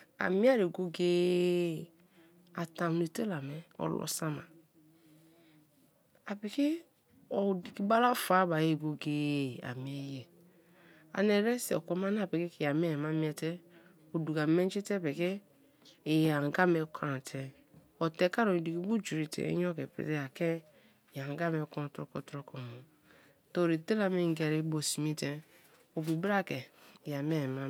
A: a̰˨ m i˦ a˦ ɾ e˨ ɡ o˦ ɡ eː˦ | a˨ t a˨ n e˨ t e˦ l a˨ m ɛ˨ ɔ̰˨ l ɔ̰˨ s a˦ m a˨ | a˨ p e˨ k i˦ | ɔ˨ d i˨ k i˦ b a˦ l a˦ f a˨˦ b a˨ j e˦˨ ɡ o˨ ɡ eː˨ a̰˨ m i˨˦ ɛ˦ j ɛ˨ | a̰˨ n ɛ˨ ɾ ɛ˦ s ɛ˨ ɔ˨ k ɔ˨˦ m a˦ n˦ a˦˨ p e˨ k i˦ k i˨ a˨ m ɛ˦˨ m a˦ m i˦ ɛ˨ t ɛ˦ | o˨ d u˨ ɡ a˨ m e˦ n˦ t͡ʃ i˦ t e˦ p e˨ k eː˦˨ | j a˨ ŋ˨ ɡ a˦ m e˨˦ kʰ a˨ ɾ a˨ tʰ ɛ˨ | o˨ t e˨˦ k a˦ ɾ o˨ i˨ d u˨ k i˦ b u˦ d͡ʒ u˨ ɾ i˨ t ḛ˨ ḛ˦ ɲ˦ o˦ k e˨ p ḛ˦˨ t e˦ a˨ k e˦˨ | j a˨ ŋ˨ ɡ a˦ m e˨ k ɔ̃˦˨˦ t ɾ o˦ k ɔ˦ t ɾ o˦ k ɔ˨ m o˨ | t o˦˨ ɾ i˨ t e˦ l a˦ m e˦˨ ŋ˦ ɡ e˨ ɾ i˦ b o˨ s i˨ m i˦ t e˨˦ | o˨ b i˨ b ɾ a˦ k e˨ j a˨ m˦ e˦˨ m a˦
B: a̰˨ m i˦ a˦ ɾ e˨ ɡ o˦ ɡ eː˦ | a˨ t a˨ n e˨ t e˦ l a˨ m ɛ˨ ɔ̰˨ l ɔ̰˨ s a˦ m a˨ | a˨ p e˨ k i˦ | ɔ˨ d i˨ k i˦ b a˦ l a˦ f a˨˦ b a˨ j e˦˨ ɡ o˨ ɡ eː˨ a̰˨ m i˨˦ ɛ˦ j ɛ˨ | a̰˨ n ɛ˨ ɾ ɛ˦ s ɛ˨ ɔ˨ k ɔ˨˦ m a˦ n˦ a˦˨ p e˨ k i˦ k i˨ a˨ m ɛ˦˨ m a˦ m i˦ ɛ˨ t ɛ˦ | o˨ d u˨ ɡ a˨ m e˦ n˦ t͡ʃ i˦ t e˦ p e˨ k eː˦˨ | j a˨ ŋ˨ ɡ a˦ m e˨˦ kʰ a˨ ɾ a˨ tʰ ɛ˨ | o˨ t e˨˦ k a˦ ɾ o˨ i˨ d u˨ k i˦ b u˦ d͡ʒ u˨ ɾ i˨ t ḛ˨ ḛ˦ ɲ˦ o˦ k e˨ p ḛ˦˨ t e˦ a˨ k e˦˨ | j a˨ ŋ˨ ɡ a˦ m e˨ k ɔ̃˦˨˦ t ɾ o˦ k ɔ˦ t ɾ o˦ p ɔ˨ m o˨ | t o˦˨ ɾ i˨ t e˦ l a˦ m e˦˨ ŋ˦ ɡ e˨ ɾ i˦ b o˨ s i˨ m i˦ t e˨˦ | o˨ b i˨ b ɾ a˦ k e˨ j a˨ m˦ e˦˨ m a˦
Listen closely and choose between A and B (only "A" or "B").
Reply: A